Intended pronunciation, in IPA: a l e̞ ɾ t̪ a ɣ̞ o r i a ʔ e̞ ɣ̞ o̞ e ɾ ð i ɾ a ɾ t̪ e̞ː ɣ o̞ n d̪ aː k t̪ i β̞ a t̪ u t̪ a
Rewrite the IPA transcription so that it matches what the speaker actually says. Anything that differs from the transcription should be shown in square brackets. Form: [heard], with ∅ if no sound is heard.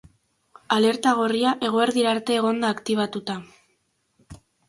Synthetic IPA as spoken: a l e̞ ɾ t̪ a ɣ̞ o r i a ʔ e̞ ɣ̞ o̞ e ɾ ð i ɾ a ɾ t̪ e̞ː ɣ o̞ n d̪ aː k t̪ i β̞ a t̪ u t̪ a